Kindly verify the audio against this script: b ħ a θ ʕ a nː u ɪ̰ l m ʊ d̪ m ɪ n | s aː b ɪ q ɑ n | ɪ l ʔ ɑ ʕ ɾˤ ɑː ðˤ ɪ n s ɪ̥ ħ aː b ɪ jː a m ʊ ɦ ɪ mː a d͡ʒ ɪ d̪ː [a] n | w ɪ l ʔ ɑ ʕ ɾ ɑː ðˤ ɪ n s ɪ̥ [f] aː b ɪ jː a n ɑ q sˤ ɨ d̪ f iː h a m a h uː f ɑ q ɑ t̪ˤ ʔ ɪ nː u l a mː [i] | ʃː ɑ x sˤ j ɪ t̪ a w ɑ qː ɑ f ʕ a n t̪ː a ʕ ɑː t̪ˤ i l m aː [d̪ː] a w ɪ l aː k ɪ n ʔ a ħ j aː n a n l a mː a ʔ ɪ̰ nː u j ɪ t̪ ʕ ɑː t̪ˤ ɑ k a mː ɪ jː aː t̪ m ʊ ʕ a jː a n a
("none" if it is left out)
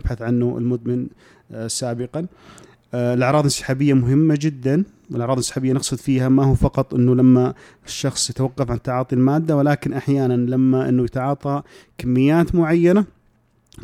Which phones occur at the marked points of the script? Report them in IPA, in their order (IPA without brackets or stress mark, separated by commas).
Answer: a, ħ, a, d̪ː